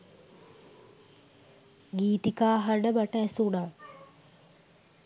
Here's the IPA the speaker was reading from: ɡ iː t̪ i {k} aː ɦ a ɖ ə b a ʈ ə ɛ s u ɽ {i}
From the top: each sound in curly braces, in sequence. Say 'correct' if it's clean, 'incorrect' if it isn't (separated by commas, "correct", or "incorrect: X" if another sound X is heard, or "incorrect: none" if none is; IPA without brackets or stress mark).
correct, incorrect: a